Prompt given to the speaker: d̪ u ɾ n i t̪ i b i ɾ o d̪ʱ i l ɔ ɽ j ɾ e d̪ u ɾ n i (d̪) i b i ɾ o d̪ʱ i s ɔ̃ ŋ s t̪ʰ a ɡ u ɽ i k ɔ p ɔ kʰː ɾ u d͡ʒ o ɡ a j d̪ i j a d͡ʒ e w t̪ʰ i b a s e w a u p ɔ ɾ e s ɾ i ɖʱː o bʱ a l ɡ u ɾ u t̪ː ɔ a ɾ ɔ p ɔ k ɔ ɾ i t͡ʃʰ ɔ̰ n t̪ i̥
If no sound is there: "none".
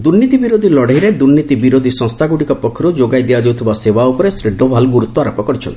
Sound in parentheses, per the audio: t̪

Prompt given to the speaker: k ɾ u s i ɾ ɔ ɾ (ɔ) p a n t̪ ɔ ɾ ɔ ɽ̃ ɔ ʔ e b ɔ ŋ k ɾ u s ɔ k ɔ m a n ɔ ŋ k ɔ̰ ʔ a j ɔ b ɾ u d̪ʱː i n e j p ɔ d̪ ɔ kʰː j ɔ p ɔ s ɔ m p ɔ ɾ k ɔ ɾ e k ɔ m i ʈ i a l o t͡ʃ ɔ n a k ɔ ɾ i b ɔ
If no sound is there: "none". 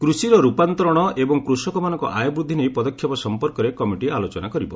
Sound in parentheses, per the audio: u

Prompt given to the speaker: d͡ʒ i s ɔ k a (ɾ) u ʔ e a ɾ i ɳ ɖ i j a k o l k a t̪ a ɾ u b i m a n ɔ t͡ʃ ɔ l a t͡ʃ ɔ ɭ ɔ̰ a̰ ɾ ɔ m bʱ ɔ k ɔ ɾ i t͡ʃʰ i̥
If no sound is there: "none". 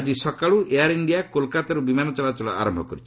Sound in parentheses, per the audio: ɭ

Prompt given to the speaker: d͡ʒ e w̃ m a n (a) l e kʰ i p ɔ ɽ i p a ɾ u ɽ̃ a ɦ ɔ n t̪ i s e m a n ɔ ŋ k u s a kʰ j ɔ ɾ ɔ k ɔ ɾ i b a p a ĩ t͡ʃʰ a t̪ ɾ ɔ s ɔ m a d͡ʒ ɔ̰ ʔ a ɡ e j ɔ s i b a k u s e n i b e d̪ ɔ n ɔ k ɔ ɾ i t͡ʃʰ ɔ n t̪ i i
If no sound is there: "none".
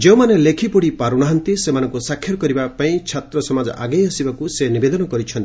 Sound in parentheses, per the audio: e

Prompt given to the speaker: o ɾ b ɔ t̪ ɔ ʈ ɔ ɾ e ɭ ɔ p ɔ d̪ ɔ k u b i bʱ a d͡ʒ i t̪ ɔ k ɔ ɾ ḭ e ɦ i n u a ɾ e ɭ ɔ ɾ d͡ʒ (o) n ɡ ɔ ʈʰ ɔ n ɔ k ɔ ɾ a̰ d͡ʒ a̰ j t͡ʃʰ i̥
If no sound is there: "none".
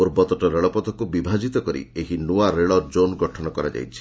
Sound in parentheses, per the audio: o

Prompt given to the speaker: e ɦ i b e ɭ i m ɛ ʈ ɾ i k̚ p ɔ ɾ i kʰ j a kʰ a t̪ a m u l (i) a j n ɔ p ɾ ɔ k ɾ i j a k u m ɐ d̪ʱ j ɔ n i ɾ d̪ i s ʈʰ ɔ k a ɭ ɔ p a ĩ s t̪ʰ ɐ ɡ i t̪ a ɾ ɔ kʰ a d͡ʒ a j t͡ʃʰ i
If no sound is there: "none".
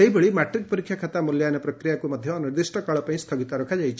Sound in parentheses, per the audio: j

